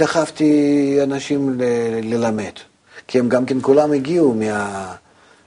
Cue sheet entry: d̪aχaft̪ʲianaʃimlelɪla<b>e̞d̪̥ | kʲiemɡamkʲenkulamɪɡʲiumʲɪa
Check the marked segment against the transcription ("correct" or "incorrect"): incorrect